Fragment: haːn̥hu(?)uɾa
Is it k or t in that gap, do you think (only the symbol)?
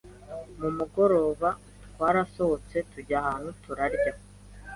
t